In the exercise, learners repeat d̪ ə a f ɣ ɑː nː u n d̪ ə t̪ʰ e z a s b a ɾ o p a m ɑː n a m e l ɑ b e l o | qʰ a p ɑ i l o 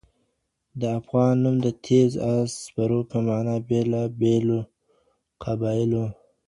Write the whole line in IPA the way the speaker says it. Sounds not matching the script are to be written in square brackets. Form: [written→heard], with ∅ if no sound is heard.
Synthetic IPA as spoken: d̪ ə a f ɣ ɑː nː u [n→m] d̪ ə t̪ʰ e z a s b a ɾ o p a m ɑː n a [m→b] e l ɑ b e l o | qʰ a [p→b] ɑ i l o